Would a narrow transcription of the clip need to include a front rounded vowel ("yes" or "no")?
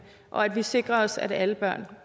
yes